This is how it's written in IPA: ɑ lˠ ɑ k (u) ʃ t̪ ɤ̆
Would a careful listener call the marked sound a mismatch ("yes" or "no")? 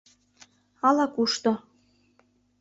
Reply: no